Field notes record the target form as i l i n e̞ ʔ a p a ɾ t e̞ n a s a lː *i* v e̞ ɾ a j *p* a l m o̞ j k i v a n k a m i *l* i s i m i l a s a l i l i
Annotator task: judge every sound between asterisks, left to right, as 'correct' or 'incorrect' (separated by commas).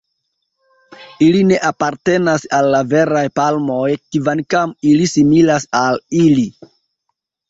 incorrect, correct, correct